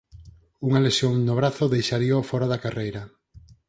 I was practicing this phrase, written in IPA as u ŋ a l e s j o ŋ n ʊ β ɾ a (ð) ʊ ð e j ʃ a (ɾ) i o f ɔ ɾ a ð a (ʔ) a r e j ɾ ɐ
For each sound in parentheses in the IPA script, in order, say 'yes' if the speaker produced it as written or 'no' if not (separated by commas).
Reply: no, yes, no